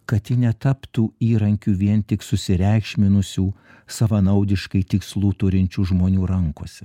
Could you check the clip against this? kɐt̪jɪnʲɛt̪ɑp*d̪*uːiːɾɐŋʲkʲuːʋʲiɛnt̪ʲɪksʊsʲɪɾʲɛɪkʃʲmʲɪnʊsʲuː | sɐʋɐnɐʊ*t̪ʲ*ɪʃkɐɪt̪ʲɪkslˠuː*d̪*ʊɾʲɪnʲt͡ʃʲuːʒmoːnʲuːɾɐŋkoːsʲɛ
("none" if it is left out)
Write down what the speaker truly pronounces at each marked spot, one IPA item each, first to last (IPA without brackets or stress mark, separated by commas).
t̪, d̪ʲ, t̪